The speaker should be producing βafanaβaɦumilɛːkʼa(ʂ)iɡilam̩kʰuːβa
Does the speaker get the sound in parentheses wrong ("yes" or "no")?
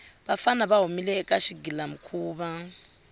yes